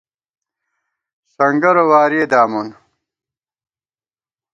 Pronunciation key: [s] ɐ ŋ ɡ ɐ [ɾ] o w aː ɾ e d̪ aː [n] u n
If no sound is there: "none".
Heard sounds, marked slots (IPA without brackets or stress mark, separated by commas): s, ɾ, m